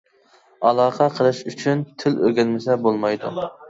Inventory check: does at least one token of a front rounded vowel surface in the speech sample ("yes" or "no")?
yes